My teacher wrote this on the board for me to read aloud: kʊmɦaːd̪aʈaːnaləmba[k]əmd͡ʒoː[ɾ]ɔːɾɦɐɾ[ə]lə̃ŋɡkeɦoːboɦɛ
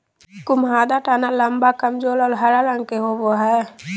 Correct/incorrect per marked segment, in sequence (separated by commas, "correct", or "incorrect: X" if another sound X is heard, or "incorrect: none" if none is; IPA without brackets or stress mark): correct, incorrect: l, incorrect: a